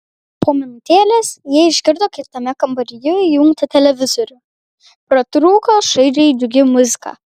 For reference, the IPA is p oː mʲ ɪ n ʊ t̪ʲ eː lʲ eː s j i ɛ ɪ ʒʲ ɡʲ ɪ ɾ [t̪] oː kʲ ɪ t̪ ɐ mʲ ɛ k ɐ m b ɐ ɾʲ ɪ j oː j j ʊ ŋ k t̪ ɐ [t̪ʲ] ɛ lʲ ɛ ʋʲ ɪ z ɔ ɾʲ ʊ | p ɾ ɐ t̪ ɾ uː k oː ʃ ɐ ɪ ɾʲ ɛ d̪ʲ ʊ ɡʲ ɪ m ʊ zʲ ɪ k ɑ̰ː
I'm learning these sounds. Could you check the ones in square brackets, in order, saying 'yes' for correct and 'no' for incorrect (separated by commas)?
no, yes